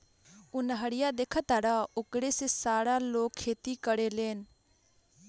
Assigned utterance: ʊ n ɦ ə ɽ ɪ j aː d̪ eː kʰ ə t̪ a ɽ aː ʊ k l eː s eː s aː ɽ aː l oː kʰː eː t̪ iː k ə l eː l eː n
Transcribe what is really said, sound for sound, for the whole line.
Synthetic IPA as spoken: ʊ n ɦ ə ɽ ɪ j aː d̪ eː kʰ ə t̪ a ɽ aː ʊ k ɽ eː s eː s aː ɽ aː l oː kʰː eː t̪ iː k ə ɽ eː l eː n